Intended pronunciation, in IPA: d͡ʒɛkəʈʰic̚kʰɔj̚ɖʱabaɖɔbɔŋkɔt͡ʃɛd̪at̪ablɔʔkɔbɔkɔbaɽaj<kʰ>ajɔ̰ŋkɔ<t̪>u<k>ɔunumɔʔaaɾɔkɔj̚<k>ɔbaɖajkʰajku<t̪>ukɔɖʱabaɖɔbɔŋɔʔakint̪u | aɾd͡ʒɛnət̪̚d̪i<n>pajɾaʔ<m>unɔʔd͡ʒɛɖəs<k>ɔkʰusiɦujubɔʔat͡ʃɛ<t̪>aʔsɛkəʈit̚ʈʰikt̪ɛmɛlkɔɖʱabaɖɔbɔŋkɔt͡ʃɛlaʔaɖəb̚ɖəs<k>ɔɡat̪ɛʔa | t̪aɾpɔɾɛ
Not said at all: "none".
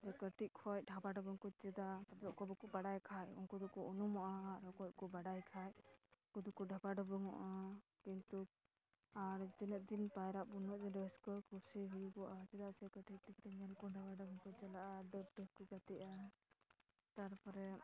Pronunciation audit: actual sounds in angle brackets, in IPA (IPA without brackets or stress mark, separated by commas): kʰ, d̪, k, k, d̪, n, b, k, d̪, k